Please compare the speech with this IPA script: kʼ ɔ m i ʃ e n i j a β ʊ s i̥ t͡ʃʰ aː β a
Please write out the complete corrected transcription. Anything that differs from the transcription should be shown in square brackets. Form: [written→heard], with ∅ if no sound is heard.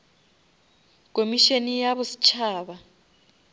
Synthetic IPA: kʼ [ɔ→o] m i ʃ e n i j a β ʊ s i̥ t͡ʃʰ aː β a